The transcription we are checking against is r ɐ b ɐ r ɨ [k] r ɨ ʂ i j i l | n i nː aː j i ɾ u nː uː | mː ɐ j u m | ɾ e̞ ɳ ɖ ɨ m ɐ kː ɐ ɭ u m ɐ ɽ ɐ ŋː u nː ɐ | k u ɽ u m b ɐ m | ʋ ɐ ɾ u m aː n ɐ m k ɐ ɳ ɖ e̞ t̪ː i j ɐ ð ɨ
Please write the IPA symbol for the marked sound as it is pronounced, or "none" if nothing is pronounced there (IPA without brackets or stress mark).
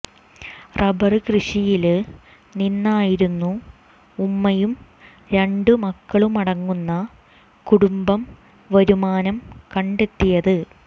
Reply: k